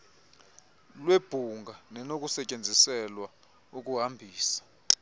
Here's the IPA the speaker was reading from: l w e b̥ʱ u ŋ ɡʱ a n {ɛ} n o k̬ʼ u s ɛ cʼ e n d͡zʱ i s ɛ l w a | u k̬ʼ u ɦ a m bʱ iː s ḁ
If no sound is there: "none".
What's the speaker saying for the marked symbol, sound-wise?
ɛ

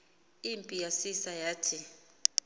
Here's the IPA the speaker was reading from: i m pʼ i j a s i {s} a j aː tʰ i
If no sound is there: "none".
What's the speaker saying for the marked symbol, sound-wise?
s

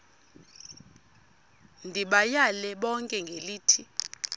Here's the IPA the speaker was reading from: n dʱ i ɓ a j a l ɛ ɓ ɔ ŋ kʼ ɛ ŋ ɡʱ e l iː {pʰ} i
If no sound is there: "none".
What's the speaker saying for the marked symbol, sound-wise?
tʰ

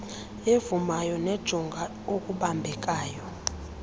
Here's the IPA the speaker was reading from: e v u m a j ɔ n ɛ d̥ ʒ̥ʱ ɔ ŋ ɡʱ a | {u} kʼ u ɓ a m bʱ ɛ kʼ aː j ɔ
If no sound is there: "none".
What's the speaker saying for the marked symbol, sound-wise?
o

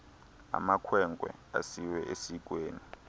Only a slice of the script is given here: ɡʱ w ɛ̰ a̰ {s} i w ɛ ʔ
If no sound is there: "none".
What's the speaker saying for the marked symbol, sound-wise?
s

